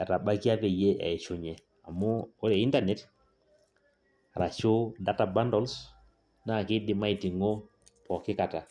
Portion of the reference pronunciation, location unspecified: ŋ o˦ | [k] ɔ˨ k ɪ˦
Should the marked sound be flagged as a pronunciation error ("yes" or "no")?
yes